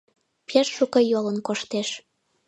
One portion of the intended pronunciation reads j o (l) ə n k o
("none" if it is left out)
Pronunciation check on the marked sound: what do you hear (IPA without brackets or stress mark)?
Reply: l